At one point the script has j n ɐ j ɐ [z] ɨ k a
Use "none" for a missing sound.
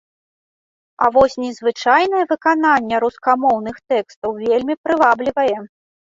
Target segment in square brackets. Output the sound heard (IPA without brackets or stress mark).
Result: v